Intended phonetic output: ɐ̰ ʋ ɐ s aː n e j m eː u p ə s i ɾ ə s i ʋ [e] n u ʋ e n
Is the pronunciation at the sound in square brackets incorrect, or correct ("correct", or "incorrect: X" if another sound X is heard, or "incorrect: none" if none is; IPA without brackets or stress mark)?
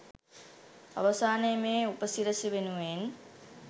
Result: correct